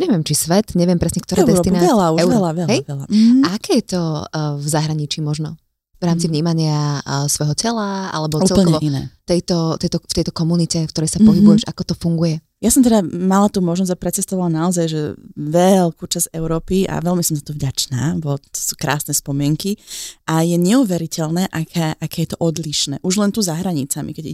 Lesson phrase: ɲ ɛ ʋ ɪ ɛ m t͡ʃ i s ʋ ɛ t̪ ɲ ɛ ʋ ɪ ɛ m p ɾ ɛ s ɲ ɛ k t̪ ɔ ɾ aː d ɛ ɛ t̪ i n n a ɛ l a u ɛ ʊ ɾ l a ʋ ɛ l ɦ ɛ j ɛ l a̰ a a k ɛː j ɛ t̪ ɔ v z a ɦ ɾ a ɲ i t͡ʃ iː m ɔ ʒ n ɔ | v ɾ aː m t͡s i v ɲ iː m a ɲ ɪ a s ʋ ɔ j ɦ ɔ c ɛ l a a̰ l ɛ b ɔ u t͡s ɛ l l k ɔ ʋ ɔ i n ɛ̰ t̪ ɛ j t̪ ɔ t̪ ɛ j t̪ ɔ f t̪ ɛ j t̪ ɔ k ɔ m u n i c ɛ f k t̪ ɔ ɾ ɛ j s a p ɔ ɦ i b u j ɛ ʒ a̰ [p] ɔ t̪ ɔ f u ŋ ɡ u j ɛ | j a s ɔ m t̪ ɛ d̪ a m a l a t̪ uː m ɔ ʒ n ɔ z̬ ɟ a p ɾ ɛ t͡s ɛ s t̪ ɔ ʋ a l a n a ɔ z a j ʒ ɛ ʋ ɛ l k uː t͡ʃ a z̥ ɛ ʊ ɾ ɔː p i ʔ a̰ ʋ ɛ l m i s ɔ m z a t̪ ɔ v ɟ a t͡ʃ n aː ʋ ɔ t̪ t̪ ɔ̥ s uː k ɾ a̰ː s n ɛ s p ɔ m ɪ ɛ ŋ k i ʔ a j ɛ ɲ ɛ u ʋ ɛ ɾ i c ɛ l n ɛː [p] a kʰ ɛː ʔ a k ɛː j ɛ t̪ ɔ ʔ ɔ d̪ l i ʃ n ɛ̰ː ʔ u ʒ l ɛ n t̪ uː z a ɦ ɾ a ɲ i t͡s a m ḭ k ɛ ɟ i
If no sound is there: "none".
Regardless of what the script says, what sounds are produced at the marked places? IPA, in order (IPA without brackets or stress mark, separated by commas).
k, ʔ